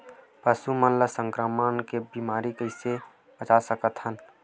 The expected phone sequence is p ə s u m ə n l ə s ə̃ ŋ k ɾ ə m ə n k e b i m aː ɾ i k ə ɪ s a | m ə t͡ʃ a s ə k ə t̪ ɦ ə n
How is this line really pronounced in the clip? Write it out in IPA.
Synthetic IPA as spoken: p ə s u m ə n l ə s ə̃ ŋ k ɾ ə m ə n k e b i m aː ɾ i k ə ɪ s e | b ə t͡ʃ a s ə k ə t̪ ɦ ə n